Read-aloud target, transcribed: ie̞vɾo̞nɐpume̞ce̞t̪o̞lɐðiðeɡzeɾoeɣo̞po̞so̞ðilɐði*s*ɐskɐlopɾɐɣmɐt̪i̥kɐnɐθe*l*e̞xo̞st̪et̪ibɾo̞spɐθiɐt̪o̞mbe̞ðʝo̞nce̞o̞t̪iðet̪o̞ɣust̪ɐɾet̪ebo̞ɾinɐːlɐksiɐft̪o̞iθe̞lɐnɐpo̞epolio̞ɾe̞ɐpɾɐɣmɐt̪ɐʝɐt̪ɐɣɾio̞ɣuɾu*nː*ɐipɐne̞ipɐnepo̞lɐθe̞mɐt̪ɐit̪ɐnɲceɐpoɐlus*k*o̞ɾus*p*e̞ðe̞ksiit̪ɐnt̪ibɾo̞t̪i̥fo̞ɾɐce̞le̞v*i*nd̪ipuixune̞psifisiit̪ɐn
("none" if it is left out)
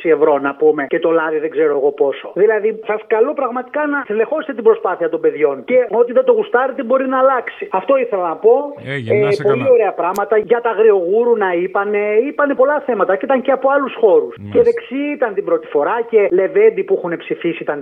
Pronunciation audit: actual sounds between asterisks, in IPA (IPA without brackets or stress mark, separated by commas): s, l, n, x, c, e